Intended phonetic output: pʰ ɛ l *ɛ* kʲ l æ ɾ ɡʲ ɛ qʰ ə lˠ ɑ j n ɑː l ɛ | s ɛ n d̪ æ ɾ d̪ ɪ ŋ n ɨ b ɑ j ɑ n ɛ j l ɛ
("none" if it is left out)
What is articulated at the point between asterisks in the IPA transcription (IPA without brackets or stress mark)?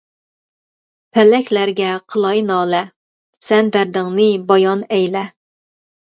ɛ